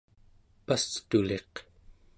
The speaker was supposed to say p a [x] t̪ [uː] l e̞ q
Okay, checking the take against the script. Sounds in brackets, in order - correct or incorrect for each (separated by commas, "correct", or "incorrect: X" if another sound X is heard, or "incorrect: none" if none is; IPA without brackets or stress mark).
incorrect: s, incorrect: u